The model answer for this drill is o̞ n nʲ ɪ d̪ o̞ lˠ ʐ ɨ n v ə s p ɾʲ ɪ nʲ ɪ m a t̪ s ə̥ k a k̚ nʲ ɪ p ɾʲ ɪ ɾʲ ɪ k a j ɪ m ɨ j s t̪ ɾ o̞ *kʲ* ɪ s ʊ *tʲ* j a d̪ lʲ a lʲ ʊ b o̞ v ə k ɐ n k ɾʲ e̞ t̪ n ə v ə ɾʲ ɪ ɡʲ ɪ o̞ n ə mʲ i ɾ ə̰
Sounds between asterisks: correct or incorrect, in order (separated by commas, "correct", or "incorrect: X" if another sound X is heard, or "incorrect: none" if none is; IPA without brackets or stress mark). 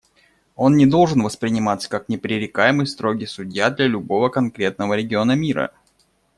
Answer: incorrect: ɡʲ, incorrect: dʲ